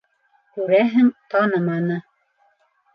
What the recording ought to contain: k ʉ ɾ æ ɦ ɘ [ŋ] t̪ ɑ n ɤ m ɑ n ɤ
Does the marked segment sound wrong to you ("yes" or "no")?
no